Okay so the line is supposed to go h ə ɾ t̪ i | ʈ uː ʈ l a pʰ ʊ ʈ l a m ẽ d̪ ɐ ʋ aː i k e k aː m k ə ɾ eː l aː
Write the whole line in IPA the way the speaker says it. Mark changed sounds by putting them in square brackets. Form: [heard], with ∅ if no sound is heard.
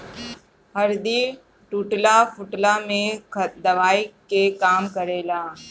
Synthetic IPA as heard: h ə ɾ [d̪] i | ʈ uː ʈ l a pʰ ʊ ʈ l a m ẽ d̪ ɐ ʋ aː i k e k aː m k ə ɾ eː l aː

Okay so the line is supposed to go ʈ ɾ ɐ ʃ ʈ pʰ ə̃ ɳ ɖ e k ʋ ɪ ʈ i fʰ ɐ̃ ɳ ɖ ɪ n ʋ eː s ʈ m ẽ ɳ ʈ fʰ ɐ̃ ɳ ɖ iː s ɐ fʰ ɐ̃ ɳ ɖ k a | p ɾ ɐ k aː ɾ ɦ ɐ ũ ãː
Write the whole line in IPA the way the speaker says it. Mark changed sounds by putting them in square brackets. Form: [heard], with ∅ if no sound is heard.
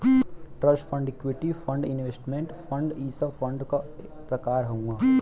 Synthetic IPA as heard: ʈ ɾ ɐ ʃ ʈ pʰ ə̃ ɳ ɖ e k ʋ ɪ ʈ i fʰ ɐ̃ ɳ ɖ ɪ n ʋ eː s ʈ m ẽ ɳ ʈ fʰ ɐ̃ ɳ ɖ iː s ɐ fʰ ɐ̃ ɳ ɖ k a | p ɾ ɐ k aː ɾ ɦ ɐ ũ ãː

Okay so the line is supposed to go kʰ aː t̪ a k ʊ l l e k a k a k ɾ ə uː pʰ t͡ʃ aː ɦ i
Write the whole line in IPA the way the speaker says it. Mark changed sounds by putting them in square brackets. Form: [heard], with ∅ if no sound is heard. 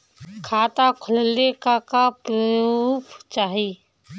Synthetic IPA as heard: kʰ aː t̪ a [kʰ] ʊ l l e k a k a [p] ɾ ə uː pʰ t͡ʃ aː ɦ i

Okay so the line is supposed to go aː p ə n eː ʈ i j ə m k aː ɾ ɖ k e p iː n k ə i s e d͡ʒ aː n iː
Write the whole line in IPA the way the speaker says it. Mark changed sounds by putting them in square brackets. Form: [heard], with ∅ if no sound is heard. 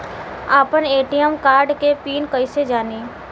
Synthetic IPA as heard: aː p ə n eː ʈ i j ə m k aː ɾ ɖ k e p iː n k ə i s e d͡ʒ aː n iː

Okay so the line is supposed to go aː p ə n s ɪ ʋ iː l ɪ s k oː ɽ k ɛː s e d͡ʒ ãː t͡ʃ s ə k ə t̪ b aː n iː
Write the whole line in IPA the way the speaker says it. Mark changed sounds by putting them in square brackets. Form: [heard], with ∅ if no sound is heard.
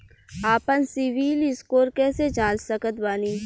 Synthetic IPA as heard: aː p ə n s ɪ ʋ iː l ɪ s k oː [ɾ] k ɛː s e d͡ʒ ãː t͡ʃ s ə k ə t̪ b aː n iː

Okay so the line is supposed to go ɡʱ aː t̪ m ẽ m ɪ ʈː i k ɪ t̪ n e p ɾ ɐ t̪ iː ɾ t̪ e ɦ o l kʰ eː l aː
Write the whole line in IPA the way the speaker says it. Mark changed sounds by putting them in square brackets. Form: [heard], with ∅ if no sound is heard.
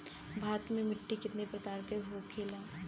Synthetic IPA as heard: [bʱ] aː t̪ m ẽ m ɪ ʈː i k ɪ t̪ n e p ɾ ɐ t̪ [aː] ɾ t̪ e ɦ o [∅] kʰ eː l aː

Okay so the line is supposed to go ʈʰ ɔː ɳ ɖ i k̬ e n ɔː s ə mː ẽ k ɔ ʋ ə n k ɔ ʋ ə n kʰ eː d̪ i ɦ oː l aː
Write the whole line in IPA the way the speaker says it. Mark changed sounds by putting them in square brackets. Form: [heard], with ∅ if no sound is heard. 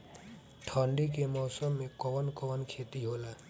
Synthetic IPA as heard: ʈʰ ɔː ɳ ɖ i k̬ e [m] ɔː s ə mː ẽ k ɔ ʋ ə n k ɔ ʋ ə n kʰ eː [t̪] i ɦ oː l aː

